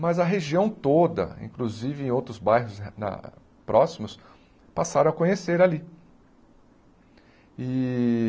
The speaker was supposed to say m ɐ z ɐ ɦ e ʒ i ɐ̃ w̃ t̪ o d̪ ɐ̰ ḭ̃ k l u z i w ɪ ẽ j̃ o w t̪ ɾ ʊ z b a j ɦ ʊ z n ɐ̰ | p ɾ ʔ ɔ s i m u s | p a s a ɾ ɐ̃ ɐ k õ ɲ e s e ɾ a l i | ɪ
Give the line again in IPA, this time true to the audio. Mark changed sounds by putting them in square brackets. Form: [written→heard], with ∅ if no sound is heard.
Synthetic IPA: m ɐ z ɐ ɦ e ʒ i ɐ̃ w̃ t̪ o d̪ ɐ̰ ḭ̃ k l u z i [w→v] ɪ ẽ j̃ o w t̪ ɾ ʊ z b a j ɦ ʊ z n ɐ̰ | p ɾ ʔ ɔ s i m [u→ʊ] s | p a s a ɾ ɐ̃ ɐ k õ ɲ e s e ɾ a l i | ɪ